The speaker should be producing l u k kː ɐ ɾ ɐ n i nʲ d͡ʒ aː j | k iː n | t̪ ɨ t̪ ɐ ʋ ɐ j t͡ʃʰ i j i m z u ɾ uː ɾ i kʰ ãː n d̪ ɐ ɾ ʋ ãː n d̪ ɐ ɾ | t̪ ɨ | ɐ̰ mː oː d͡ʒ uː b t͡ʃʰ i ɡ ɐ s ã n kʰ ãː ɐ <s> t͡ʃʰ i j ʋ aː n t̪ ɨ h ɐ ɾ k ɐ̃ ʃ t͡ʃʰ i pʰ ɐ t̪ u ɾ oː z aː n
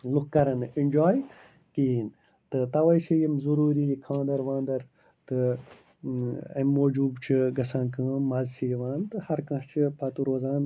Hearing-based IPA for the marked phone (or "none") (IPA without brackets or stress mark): z